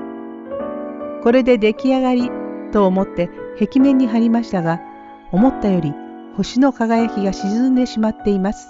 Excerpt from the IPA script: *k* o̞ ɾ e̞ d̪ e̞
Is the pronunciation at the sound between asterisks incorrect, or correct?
correct